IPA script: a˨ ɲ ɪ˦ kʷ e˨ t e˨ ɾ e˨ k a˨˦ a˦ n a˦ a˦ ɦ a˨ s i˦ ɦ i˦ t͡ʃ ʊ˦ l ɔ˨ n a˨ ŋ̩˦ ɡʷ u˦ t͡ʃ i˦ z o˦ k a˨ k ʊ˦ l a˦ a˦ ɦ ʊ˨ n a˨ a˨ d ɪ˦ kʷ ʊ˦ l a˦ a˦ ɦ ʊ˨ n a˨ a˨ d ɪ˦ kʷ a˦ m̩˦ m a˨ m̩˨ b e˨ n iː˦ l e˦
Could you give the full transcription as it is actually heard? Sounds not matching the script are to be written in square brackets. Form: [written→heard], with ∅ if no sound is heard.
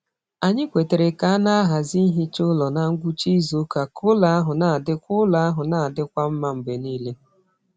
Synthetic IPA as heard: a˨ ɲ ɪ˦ kʷ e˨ t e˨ ɾ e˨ k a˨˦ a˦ n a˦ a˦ ɦ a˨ [s→z] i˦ ɦ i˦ t͡ʃ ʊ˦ l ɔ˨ n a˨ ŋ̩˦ ɡʷ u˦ t͡ʃ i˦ z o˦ k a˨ k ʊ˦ l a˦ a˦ ɦ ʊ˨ n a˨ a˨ d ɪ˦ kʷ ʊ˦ l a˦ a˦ ɦ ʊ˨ n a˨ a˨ d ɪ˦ kʷ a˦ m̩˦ m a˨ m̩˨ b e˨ n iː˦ l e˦

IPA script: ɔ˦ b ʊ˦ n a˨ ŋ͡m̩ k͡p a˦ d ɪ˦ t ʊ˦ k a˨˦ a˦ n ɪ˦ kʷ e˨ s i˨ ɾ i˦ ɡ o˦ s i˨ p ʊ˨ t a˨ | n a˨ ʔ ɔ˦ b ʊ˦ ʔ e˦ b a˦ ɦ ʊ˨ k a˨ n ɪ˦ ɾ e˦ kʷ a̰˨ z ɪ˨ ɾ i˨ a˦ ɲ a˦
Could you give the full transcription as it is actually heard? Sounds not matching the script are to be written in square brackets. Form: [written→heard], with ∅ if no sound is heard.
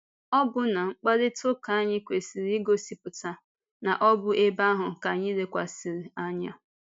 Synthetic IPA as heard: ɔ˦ b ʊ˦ n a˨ ŋ͡m̩ k͡p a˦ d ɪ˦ t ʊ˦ k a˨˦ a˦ [n→ɲ] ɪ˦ kʷ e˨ s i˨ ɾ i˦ ɡ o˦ s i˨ p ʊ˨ t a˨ | n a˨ ʔ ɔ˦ b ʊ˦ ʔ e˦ b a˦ ɦ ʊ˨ k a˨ [n→ɲ] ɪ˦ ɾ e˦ kʷ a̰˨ [z→s] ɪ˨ ɾ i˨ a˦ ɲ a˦

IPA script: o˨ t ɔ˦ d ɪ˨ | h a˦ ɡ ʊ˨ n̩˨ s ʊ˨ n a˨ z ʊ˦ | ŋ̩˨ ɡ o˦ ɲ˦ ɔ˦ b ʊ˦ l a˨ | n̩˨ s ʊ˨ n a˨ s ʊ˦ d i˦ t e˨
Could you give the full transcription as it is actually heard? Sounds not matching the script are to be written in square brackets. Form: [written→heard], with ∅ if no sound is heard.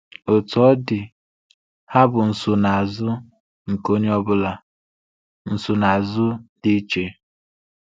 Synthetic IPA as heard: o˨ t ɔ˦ d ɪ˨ | h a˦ [ɡ→b] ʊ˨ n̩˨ s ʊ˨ n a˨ z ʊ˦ | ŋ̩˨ [ɡ→k] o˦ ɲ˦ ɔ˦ b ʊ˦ l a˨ | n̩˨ s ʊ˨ n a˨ [s→z] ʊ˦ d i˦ [t→t͡ʃ] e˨

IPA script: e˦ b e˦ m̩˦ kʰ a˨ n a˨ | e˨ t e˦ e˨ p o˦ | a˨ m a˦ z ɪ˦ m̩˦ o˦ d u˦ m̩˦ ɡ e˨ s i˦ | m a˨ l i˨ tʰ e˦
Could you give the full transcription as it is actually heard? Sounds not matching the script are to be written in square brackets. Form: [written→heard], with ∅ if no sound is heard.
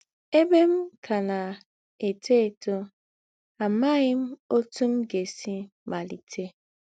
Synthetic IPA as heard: e˦ b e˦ m̩˦ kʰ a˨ n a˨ | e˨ t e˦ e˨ [p→t] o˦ | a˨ m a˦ [z→ɣ] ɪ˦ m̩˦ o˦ [d→t] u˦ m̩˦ ɡ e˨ s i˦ | m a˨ l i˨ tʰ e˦

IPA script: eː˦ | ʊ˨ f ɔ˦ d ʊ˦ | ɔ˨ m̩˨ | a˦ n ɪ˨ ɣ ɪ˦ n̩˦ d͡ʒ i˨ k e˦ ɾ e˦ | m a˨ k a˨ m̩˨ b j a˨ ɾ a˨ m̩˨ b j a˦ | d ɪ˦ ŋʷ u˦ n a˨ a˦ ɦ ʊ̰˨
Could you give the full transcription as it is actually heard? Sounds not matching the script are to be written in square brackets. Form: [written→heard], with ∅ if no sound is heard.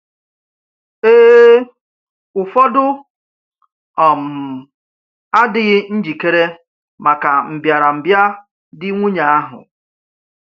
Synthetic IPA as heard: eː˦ | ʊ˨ f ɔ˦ d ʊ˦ | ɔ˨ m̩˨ | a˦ [n→d] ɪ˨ ɣ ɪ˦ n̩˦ d͡ʒ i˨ k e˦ ɾ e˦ | m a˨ k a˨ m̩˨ b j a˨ ɾ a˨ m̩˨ b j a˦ | d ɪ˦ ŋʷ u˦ [n→ɲ] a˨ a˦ ɦ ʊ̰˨

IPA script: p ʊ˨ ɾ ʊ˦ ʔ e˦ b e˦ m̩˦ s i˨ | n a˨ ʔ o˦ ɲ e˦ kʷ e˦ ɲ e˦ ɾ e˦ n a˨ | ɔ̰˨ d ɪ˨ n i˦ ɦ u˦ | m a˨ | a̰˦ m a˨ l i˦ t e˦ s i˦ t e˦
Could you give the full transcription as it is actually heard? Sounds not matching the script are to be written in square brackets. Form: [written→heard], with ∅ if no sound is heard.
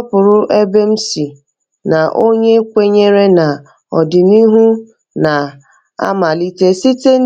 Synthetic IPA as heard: p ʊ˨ ɾ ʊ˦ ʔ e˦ b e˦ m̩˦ s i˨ | n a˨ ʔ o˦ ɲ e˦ kʷ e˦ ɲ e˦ ɾ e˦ n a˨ | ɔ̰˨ d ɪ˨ n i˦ ɦ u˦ | [m→n] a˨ | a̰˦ m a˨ l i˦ t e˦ s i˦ t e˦

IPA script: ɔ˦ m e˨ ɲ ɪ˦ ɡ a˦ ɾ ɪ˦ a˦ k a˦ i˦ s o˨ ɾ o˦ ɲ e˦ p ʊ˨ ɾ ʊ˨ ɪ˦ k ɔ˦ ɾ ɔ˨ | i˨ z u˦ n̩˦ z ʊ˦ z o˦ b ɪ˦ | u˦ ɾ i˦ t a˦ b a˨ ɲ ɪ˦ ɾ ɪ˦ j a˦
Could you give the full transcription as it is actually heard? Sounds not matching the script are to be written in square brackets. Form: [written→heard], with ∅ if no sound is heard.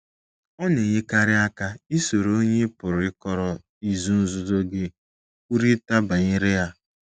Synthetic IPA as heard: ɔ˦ [m→n] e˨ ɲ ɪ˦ [ɡ→k] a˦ ɾ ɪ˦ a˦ k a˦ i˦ s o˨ ɾ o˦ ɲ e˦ p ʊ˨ ɾ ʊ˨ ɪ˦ k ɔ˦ ɾ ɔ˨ | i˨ z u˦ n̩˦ z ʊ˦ z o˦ [b→ɡ] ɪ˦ | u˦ ɾ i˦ t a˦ b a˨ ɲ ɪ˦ ɾ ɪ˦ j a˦

